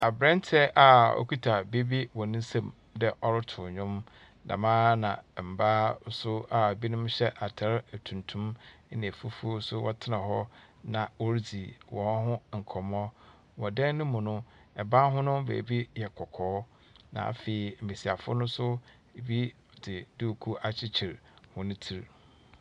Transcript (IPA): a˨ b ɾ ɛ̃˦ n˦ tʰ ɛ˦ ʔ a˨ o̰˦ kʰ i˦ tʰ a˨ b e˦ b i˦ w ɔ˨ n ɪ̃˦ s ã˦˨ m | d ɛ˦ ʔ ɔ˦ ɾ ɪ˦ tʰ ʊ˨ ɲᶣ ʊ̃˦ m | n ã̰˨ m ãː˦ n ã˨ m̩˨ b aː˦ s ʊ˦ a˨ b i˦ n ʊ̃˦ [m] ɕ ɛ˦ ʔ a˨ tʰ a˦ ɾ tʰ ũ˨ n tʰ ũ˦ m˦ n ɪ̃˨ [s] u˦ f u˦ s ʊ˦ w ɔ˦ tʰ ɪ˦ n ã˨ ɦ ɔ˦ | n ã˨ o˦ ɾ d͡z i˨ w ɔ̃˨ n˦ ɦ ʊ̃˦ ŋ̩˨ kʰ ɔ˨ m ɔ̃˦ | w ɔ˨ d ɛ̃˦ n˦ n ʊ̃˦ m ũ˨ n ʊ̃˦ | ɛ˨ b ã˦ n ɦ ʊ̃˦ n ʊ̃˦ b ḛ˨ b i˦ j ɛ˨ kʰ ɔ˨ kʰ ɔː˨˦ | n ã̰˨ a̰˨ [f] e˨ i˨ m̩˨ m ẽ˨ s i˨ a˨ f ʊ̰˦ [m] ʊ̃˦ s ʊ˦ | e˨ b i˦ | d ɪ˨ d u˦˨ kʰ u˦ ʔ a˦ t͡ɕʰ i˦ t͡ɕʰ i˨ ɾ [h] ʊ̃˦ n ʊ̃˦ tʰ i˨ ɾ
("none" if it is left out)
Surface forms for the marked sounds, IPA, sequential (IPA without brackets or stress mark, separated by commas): m, f, f, n, h